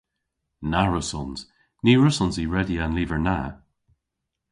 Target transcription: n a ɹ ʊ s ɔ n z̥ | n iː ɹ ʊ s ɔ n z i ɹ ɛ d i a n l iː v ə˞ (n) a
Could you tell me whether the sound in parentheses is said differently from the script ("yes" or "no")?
no